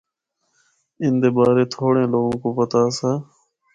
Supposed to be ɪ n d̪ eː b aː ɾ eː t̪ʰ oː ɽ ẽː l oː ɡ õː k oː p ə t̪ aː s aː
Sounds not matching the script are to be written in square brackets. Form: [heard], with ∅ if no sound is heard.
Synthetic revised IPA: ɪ n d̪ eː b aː ɾ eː t̪ʰ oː ɽ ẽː l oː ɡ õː k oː p ə t̪ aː s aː

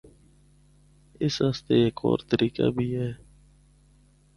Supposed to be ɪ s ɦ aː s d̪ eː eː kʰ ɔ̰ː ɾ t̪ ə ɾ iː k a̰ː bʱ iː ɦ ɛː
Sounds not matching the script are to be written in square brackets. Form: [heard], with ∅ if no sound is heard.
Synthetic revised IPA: ɪ s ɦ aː s [t̪] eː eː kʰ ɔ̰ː ɾ t̪ ə ɾ iː k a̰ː bʱ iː ɦ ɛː

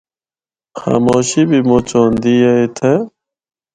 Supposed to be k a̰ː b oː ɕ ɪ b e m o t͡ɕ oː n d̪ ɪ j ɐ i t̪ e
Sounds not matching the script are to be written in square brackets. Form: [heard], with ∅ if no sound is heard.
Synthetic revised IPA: [x] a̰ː [m] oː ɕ [i] b [i] m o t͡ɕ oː n d̪ [i] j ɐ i [t̪ʰ] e

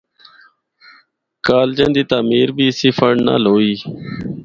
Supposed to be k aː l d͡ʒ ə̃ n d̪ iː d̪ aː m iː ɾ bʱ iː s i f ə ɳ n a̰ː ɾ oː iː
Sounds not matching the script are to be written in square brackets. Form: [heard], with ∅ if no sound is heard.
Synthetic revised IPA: k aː l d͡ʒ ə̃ n d̪ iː [t̪] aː m iː ɾ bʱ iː s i f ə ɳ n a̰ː [l] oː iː

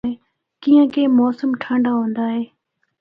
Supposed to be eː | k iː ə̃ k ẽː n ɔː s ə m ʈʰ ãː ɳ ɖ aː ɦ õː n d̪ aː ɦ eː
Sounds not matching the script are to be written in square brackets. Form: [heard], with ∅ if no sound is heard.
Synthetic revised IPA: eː | k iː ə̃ k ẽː [m] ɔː s ə m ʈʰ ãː ɳ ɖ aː ɦ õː n d̪ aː ɦ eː

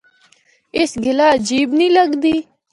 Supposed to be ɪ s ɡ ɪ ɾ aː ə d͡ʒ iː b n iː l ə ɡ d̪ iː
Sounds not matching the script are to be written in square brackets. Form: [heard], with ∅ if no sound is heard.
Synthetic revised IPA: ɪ s ɡ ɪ [l] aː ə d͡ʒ iː b n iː l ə ɡ d̪ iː

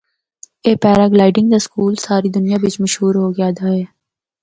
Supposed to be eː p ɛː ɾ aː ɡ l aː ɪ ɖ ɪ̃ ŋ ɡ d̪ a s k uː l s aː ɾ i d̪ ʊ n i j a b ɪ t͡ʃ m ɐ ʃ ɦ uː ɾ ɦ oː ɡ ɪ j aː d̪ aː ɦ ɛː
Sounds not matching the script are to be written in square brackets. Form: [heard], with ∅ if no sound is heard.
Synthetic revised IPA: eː p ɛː ɾ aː ɡ l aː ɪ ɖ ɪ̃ ŋ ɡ d̪ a s k uː l s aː ɾ i d̪ ʊ n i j a b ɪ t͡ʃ m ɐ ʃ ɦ uː ɾ ɦ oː ɡ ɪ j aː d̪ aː ɦ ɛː

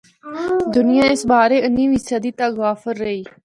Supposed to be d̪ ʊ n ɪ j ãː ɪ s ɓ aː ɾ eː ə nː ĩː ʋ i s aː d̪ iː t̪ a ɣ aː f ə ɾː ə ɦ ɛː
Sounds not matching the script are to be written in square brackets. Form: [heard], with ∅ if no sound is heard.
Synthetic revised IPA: d̪ ʊ n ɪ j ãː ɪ s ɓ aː ɾ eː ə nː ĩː ʋ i s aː d̪ iː t̪ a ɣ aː f ə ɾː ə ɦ [iː]

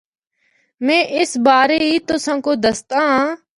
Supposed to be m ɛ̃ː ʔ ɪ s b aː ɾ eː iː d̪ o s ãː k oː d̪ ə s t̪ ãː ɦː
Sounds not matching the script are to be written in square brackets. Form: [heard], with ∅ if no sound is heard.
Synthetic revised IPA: m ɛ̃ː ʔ ɪ s b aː ɾ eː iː [t̪] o s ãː k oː d̪ ə s t̪ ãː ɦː

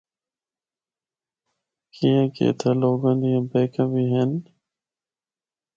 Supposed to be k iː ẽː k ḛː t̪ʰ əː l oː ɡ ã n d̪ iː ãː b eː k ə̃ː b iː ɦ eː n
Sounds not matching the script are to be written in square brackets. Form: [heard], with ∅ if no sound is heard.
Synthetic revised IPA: k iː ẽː k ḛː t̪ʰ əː l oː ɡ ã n d̪ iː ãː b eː k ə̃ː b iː ɦ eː n

